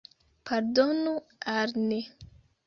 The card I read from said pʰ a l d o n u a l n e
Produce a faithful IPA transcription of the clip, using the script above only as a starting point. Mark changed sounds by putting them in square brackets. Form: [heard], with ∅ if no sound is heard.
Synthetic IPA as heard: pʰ a [ɾ] d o n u a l n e

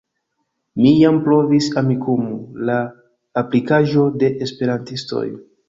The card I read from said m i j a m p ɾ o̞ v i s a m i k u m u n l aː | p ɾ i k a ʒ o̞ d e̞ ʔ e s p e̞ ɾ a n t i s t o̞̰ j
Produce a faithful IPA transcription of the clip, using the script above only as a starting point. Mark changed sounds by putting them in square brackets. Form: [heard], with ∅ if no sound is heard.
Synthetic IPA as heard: m i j a m p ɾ o̞ v i s a m i k u m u [∅] l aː | p [l] i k a ʒ o̞ d e̞ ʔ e s p e̞ ɾ a n t i s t o̞̰ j

